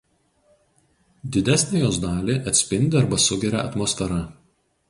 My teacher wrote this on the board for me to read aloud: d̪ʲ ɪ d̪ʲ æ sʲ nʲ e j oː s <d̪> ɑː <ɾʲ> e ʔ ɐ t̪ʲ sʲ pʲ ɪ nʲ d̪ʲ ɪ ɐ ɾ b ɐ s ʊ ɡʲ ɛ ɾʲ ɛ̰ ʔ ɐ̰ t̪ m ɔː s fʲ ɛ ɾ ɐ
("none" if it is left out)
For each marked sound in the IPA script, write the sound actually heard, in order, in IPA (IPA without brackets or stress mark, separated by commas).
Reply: d̪, lʲ